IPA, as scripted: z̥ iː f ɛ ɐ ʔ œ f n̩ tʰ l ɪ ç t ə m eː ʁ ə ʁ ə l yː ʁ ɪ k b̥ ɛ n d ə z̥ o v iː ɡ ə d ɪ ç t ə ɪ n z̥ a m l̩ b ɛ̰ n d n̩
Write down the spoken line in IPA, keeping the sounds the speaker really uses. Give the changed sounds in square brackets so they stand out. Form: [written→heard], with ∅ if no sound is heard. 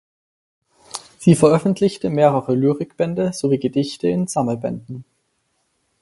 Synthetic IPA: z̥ iː f ɛ ɐ ʔ œ f n̩ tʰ l ɪ ç t ə m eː ʁ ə ʁ ə l yː ʁ ɪ k b̥ ɛ n d ə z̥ o v iː ɡ ə d ɪ ç t ə ɪ n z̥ a m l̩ b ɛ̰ n d n̩